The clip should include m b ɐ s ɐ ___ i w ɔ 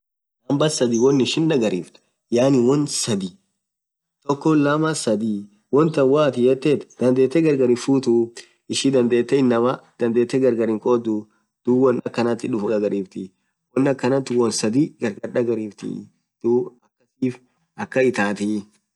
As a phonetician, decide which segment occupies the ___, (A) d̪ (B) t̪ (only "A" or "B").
A